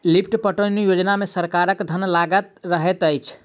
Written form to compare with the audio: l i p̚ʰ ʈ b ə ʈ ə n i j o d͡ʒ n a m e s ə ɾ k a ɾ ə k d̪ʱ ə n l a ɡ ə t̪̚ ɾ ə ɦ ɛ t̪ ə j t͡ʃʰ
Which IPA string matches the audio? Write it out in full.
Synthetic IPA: l i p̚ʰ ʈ p ə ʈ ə n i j o d͡ʒ n a m e s ə ɾ k a ɾ ə k d̪ʱ ə n l a ɡ ə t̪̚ ɾ ə ɦ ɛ t̪ ə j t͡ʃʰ